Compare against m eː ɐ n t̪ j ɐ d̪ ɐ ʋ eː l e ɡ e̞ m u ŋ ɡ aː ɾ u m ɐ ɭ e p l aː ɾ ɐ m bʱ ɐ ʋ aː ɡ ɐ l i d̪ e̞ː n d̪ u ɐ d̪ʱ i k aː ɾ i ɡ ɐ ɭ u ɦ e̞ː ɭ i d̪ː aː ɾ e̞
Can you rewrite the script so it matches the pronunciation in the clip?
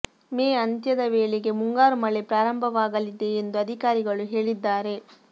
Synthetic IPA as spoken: m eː ɐ n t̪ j ɐ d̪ ɐ ʋ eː ɭ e ɡ e̞ m u ŋ ɡ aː ɾ u m ɐ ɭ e p ɾ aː ɾ ɐ m bʱ ɐ ʋ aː ɡ ɐ l i d̪ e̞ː n d̪ u ɐ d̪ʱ i k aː ɾ i ɡ ɐ ɭ u ɦ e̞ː ɭ i d̪ː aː ɾ e̞

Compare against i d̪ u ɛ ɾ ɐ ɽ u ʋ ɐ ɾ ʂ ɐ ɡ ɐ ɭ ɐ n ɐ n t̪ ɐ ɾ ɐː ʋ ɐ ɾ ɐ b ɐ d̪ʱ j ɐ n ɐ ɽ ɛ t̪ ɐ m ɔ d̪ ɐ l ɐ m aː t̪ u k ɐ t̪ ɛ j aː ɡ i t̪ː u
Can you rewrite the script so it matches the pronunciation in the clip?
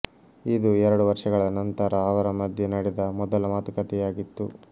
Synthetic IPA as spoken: i d̪ u ɛ ɾ ɐ ɽ u ʋ ɐ ɾ ʂ ɐ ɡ ɐ ɭ ɐ n ɐ n t̪ ɐ ɾ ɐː ʋ ɐ ɾ ɐ m ɐ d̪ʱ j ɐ n ɐ ɽ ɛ d̪ ɐ m ɔ d̪ ɐ l ɐ m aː t̪ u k ɐ t̪ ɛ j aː ɡ i t̪ː u

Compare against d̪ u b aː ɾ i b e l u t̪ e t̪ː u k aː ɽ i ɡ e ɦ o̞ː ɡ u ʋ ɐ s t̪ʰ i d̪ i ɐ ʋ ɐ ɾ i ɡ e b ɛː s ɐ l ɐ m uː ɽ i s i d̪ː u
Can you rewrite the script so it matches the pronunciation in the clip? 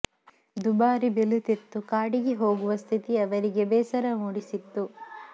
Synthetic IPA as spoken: d̪ u b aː ɾ i b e l u t̪ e t̪ː u k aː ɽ i ɡ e ɦ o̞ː ɡ u ʋ ɐ s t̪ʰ i t̪ i ɐ ʋ ɐ ɾ i ɡ e b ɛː s ɐ ɾ ɐ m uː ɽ i s i t̪ː u

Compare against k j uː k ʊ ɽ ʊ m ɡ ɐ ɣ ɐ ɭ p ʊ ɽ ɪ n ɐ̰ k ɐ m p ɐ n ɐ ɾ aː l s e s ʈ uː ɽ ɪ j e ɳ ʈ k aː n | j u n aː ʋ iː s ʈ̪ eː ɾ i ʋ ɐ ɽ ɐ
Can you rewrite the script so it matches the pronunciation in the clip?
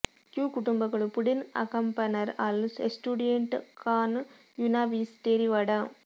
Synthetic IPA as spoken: k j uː k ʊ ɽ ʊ m b ɐ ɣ ɐ ɭ p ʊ ɽ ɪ n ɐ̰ k ɐ m p ɐ n ɐ ɾ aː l s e s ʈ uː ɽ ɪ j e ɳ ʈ k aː n | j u n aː ʋ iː s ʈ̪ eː ɾ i ʋ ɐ ɽ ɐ

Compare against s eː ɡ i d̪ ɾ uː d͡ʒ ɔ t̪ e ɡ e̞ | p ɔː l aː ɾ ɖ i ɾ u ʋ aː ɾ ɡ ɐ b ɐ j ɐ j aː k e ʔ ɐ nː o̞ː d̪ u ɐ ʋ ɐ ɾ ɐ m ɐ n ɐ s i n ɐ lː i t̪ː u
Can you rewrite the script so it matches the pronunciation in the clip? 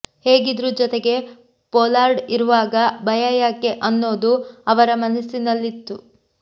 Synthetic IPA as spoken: h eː ɡ i d̪ ɾ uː d͡ʒ ɔ t̪ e ɡ e̞ | p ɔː l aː ɾ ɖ i ɾ u ʋ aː ɡ ɐ b ɐ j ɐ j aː k e ʔ ɐ nː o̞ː d̪ u ɐ ʋ ɐ ɾ ɐ m ɐ n ɐ s i n ɐ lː i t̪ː u

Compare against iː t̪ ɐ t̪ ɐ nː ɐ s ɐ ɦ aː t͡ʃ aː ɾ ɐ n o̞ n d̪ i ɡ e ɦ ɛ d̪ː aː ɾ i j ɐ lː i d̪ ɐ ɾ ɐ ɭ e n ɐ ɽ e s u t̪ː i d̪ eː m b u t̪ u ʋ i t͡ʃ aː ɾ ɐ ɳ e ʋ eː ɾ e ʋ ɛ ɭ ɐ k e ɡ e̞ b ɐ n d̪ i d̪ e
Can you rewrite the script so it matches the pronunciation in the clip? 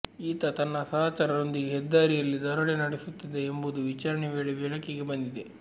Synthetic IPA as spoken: iː t̪ ɐ t̪ ɐ nː ɐ s ɐ ɦ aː t͡ʃ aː ɾ ɐ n o̞ n d̪ i ɡ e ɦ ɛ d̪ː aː ɾ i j ɐ lː i d̪ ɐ ɾ ɐ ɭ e n ɐ ɽ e s u t̪ː i d̪ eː m b u d̪ u ʋ i t͡ʃ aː ɾ ɐ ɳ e ʋ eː ɭ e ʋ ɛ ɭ ɐ k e ɡ e̞ b ɐ n d̪ i d̪ e

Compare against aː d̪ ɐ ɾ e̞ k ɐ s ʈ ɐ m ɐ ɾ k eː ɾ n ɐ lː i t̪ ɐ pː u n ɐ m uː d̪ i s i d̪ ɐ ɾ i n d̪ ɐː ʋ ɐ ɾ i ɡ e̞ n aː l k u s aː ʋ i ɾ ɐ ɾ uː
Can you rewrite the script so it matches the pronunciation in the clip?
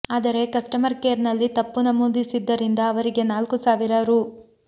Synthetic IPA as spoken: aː d̪ ɐ ɾ e̞ k ɐ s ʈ ɐ m ɐ ɾ k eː ɾ n ɐ lː i t̪ ɐ pː u n ɐ m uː d̪ i s i d̪ː ɐ ɾ i n d̪ ɐː ʋ ɐ ɾ i ɡ e̞ n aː l k u s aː ʋ i ɾ ɐ ɾ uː

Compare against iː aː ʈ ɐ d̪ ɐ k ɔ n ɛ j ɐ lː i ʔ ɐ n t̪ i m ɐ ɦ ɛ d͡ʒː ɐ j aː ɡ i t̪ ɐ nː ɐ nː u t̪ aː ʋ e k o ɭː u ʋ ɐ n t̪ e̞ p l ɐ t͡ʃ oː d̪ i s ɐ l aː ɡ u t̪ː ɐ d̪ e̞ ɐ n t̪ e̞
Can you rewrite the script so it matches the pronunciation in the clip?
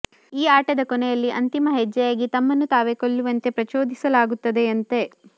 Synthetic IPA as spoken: iː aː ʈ ɐ d̪ ɐ k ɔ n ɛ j ɐ lː i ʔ ɐ n t̪ i m ɐ ɦ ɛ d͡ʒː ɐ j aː ɡ i t̪ ɐ mː ɐ nː u t̪ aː ʋ e k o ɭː u ʋ ɐ n t̪ e̞ p ɾ ɐ t͡ʃ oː d̪ i s ɐ l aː ɡ u t̪ː ɐ d̪ e̞ ɐ n t̪ e̞

